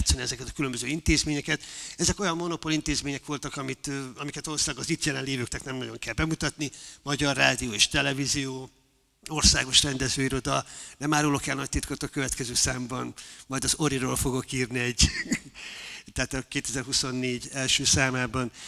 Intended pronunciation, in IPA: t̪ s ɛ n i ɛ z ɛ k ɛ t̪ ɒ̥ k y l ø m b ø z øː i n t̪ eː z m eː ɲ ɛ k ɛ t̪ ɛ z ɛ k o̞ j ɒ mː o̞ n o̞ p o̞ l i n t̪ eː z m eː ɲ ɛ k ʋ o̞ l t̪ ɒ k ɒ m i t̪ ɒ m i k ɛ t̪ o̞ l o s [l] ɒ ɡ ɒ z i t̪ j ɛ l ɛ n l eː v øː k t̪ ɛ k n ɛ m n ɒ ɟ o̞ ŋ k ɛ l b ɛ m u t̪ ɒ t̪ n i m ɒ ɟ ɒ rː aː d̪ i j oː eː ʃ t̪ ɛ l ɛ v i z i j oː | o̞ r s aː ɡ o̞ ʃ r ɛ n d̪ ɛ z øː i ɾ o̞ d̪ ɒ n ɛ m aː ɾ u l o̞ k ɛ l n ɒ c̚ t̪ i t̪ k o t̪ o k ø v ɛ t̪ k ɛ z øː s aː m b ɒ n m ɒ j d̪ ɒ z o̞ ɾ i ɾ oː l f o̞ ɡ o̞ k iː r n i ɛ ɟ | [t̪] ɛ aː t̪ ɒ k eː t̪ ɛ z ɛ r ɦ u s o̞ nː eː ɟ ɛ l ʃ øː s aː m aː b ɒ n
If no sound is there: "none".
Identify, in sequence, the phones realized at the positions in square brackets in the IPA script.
l, t̪

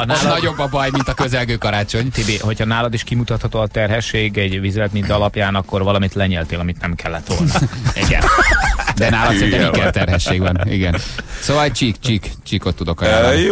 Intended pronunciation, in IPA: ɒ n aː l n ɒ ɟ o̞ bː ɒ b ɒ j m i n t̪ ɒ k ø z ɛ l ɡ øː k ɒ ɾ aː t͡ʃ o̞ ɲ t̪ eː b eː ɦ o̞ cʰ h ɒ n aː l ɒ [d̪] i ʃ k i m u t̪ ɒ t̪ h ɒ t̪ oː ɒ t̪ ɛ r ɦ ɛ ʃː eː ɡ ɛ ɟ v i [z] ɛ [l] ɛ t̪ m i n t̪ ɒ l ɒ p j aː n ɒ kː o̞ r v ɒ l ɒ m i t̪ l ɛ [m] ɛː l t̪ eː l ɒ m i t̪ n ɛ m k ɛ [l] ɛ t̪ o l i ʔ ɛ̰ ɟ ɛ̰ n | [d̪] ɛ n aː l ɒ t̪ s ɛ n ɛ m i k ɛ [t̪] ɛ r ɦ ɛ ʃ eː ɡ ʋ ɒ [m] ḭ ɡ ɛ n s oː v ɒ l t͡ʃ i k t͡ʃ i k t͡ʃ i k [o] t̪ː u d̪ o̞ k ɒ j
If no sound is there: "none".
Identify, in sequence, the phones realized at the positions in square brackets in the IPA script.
d̪, z, l, ɲ, lː, d̪, t̪, n, o

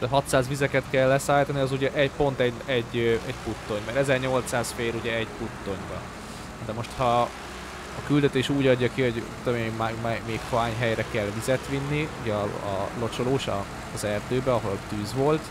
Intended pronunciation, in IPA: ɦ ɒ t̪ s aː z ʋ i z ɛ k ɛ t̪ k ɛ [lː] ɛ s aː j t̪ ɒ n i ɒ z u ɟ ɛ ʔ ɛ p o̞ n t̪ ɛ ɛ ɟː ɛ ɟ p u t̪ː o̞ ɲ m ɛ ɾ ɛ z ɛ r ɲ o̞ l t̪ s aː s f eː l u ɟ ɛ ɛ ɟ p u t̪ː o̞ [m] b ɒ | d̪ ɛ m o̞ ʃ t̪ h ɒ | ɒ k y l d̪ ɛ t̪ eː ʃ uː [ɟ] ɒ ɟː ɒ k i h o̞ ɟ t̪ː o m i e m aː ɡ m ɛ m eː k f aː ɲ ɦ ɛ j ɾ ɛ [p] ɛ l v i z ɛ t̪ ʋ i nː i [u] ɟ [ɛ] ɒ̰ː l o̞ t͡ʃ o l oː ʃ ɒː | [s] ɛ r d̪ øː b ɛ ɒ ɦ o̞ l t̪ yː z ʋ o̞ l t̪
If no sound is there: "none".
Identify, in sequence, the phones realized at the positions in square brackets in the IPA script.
lː, ɲ, ɟ, k, u, ɛ, z

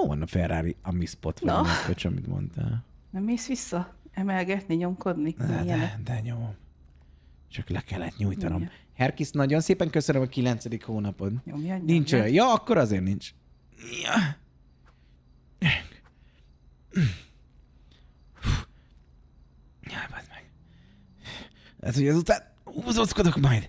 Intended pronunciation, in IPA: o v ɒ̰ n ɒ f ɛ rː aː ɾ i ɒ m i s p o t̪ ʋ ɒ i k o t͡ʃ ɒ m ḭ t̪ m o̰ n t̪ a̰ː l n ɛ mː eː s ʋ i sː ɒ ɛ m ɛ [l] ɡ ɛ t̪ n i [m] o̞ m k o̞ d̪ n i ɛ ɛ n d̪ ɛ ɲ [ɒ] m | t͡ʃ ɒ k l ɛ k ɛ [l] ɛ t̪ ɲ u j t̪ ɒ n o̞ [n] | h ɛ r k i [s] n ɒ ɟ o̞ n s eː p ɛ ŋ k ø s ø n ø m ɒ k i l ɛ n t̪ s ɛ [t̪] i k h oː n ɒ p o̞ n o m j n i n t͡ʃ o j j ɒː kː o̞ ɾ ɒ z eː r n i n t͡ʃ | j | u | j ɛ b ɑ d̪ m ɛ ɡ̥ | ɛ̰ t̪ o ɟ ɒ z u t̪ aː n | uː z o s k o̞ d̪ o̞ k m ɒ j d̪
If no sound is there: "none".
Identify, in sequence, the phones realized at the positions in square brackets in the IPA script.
l, ɲ, o, lː, m, s, d̪

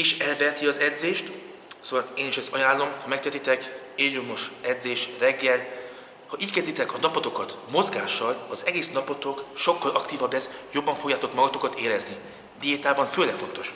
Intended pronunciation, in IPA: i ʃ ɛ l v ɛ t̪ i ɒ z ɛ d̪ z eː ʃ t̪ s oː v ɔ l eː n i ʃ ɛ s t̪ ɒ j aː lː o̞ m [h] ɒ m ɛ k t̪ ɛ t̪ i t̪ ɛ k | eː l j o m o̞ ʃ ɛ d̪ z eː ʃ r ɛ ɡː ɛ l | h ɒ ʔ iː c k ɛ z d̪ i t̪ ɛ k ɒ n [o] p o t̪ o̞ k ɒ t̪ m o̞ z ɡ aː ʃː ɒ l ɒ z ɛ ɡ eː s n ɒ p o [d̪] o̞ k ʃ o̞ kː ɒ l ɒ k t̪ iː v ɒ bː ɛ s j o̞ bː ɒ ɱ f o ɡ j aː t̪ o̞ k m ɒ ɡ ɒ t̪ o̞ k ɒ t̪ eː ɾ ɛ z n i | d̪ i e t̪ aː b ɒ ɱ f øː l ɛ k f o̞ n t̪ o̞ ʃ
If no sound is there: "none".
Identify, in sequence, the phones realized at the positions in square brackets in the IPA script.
h, ɒ, t̪

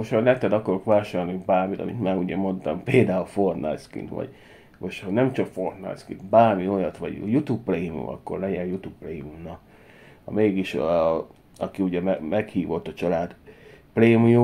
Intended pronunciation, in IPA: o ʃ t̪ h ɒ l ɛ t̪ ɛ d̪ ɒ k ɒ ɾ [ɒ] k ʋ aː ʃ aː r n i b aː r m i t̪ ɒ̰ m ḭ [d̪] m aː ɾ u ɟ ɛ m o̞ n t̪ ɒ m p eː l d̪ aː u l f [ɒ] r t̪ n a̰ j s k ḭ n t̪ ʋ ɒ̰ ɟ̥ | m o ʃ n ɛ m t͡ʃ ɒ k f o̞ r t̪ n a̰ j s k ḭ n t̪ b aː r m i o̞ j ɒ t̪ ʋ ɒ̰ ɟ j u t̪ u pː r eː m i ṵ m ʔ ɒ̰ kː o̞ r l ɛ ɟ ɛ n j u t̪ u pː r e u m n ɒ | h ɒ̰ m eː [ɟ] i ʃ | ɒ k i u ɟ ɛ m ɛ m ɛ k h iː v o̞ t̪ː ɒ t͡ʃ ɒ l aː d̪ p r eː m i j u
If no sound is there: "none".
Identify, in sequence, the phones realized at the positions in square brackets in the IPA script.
o, t̪, o, ɡ

